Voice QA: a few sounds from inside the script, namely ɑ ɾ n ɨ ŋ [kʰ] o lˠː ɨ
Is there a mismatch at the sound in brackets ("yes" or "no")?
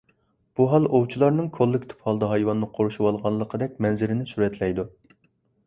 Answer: no